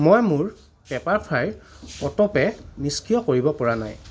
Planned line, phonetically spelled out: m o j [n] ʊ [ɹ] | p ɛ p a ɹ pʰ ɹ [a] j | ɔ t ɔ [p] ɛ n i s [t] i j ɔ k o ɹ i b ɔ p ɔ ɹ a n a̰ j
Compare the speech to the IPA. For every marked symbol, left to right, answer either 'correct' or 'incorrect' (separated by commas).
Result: incorrect, correct, correct, correct, incorrect